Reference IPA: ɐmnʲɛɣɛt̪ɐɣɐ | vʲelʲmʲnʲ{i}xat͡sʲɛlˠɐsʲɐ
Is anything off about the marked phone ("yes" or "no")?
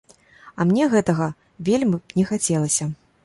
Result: yes